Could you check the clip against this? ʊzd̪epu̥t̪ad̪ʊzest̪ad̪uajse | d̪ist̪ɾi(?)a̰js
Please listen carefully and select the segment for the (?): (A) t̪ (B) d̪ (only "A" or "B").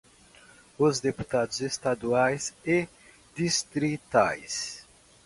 A